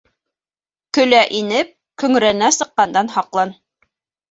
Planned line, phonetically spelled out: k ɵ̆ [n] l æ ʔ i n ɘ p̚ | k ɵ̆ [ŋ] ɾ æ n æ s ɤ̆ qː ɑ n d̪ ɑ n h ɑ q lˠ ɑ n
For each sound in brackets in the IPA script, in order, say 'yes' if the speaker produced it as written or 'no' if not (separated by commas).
no, yes